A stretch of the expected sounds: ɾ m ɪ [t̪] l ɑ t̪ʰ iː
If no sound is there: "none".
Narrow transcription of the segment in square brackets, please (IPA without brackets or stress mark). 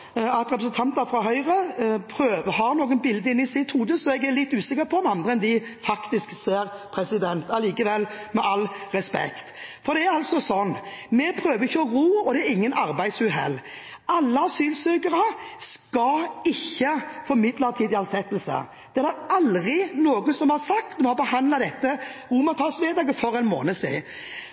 d̪